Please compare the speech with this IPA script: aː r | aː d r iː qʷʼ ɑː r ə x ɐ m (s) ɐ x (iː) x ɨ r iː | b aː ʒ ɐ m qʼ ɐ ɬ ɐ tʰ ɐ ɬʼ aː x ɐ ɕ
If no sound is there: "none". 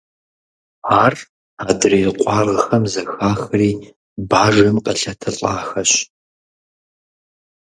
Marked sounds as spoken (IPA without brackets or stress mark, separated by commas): z, aː